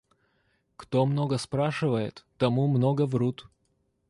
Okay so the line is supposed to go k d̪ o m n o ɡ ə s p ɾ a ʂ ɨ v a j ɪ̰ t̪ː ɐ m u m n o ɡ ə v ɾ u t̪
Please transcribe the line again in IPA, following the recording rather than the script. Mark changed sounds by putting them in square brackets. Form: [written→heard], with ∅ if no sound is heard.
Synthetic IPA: k [d̪→t̪] o m n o ɡ ə s p ɾ a ʂ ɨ v [a→ə] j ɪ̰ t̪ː ɐ m u m n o ɡ ə v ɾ u t̪